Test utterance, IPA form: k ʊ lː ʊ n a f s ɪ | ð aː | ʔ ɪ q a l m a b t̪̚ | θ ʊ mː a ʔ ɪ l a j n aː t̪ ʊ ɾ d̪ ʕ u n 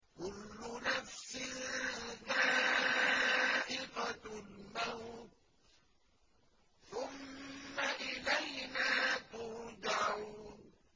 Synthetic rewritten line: k ʊ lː ʊ n a f s ɪ | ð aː | ʔ ɪ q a l m a w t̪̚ | θ ʊ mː a ʔ ɪ l a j n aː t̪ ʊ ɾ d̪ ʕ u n